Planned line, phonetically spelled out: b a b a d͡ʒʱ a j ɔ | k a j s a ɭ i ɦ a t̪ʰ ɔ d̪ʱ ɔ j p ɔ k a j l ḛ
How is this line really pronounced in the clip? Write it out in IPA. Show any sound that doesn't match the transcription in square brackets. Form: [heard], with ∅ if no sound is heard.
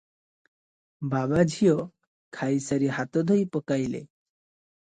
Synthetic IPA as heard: b a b a d͡ʒʱ [i] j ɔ | [kʰ] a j s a [ɾ] i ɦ a [t̪] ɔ d̪ʱ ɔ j p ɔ k a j l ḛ